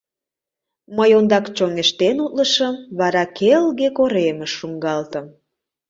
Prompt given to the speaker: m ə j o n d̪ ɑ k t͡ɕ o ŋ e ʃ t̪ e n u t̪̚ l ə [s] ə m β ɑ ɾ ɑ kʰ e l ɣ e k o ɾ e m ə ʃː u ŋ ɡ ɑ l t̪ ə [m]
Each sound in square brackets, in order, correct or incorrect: incorrect: ʃ, correct

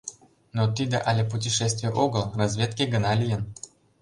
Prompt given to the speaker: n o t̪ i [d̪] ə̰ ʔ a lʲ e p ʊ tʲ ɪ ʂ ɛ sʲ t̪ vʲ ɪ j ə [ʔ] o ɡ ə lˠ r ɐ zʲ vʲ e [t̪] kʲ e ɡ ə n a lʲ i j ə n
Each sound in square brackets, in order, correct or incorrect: correct, correct, correct

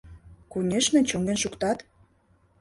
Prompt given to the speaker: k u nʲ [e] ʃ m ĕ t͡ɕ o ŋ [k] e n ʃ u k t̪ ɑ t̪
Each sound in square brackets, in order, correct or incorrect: correct, incorrect: ɡ

